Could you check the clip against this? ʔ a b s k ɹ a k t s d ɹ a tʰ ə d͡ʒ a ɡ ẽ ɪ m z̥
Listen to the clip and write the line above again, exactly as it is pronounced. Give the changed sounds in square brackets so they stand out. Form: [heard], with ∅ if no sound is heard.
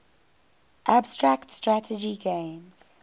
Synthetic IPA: ʔ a b s [t] ɹ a k t s [t] ɹ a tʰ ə d͡ʒ [i] ɡ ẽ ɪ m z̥